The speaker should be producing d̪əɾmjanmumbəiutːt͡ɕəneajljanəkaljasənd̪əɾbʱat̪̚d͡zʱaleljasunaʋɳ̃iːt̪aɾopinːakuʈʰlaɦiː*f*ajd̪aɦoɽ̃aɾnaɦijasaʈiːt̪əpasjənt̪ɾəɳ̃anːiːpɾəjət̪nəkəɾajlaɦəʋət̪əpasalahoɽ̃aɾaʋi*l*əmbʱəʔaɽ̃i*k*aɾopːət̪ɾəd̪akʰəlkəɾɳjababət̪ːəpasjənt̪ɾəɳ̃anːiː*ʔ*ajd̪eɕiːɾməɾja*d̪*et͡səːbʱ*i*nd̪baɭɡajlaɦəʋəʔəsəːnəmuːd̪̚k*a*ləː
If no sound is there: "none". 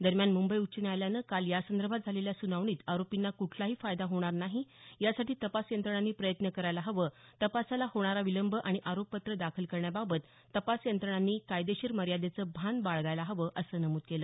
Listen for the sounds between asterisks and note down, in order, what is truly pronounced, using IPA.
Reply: f, l, ʔ, k, d̪, a, e

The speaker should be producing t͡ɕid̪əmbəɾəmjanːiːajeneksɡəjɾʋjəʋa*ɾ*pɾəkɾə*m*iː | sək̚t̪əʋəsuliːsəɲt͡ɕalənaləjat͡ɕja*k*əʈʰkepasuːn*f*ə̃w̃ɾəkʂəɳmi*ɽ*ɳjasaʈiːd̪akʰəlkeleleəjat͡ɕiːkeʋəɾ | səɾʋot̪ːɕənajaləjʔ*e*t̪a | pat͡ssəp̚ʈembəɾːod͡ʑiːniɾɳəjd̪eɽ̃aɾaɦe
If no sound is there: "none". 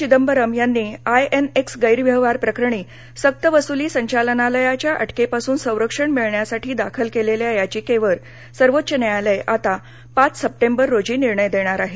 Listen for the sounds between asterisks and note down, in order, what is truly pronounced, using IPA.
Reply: ɾ, ɳ, ʔ, s, ɭ, a

